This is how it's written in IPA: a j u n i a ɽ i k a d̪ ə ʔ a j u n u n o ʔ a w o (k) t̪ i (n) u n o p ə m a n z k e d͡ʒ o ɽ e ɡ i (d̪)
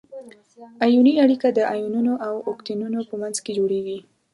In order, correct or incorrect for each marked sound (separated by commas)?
correct, correct, incorrect